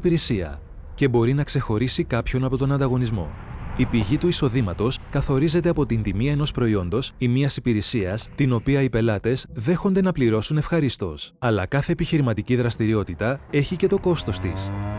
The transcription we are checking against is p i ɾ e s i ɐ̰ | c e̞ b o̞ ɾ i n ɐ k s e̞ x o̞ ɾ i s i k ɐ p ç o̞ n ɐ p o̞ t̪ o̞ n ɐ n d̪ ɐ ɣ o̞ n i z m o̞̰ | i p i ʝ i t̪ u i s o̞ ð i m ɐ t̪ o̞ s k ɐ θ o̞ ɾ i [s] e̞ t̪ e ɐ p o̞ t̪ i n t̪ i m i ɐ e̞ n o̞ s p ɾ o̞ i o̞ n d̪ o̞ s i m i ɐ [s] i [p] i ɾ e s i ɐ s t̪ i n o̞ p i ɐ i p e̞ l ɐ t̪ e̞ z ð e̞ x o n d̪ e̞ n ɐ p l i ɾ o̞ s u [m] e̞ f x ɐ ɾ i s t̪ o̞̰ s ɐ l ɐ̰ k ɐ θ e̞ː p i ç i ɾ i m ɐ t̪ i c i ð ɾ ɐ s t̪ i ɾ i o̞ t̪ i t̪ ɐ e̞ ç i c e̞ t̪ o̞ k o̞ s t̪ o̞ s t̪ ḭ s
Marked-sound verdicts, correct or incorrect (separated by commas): incorrect, correct, correct, incorrect